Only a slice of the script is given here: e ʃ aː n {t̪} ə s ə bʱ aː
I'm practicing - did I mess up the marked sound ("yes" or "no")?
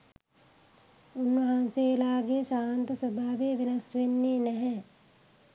no